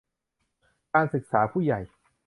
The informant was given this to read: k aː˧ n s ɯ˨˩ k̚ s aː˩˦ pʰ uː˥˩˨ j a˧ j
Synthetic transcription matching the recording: k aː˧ n s ɯ˨˩ k̚ s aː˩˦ pʰ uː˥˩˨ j a˨˩ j